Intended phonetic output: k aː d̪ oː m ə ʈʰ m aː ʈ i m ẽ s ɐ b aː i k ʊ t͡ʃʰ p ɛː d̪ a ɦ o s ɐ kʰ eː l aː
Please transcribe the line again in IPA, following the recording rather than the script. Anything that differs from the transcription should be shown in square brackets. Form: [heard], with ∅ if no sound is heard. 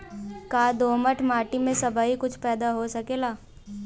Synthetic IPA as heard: k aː d̪ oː m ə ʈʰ m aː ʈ i m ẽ s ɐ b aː i k ʊ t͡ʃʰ p ɛː d̪ a ɦ o s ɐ [k] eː l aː